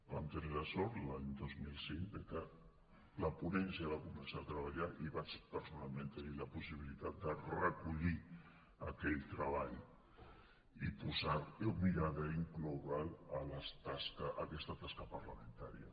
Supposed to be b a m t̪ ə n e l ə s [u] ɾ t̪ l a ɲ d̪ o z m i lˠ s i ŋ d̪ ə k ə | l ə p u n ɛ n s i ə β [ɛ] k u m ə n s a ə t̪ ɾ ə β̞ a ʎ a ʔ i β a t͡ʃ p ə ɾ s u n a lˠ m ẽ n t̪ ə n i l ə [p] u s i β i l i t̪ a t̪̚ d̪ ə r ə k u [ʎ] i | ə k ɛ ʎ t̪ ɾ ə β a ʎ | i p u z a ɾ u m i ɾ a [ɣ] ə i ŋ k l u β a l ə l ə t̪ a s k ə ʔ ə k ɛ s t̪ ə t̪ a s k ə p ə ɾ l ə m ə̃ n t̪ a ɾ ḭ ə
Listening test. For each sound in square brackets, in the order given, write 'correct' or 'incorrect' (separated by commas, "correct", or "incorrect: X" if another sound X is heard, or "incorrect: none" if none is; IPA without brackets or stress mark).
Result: incorrect: ɔ, incorrect: a, correct, correct, incorrect: ð